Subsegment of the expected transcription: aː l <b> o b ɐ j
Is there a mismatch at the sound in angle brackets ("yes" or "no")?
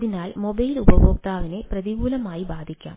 yes